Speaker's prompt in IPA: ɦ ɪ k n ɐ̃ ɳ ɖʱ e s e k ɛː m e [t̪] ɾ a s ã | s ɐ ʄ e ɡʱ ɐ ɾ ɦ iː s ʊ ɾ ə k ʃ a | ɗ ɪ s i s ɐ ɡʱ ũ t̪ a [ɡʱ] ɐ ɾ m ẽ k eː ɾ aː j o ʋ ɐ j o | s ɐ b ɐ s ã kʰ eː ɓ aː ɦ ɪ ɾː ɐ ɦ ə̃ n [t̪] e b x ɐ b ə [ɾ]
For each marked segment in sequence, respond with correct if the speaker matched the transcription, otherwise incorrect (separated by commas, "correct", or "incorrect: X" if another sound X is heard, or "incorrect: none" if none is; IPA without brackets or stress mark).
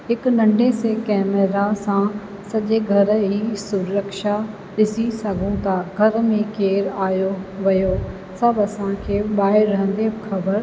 incorrect: none, correct, incorrect: d̪, correct